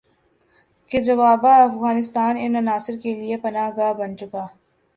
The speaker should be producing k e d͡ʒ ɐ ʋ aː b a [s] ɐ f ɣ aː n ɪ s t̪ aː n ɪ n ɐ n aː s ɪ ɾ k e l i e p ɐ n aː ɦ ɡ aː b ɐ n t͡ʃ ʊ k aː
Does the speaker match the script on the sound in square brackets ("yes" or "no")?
no